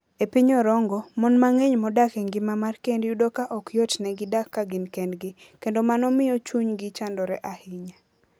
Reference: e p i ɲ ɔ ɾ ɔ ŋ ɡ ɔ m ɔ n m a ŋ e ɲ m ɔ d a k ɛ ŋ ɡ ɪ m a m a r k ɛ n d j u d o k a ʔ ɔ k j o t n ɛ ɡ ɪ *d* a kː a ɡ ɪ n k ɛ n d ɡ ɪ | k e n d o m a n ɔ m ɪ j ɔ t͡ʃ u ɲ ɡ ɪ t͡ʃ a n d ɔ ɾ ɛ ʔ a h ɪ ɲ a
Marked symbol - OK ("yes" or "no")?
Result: yes